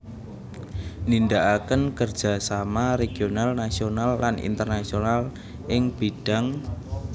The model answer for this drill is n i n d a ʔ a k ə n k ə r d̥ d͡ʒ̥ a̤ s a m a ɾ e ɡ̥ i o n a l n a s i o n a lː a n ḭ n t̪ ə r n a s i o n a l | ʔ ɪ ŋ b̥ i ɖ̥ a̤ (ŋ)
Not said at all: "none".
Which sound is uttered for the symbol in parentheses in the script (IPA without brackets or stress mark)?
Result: ŋ